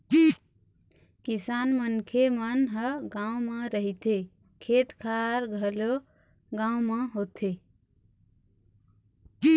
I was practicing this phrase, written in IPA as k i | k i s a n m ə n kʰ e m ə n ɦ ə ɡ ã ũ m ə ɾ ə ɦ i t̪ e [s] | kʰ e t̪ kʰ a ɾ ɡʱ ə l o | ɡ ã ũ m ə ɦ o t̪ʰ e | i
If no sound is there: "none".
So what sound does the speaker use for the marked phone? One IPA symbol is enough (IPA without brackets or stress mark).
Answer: none